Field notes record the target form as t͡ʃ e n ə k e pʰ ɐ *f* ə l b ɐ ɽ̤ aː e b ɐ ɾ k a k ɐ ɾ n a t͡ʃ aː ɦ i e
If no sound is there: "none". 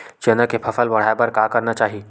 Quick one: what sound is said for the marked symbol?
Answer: f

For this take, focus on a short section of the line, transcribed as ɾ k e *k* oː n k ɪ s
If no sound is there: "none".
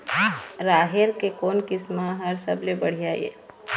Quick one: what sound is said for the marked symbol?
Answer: k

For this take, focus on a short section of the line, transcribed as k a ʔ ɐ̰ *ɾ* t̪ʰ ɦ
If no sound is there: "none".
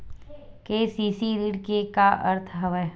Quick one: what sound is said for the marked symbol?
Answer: ɾ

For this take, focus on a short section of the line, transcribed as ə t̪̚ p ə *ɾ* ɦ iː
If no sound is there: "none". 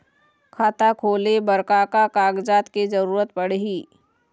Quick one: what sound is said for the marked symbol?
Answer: ɽ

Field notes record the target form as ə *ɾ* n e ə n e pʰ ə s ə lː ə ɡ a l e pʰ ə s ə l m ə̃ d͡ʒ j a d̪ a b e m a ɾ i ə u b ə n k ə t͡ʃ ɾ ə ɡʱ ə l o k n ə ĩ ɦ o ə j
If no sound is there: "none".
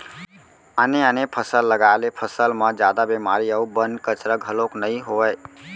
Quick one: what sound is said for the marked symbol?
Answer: none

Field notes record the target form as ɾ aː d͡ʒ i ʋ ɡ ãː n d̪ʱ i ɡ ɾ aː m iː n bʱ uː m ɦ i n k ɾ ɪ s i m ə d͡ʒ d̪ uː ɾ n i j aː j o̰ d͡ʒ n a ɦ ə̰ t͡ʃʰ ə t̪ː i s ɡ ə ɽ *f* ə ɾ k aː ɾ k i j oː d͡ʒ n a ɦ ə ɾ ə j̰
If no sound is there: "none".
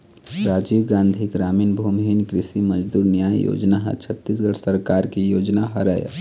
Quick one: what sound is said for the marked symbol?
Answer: s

